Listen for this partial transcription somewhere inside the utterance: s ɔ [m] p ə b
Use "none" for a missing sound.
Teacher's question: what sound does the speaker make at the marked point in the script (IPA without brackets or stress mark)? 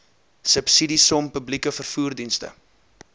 m